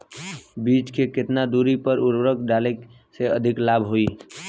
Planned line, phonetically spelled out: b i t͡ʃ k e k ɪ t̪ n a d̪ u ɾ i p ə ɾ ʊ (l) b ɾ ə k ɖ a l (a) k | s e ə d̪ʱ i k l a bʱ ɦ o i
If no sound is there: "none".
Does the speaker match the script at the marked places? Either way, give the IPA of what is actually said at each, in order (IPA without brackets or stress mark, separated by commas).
ɾ, e